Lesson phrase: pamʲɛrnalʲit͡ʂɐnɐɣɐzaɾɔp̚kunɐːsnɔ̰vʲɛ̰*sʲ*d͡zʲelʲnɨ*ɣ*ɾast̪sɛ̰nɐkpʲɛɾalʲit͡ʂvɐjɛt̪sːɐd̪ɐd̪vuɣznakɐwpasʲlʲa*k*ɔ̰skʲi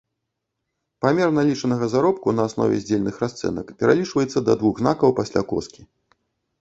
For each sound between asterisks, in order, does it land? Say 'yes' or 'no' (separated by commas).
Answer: no, no, yes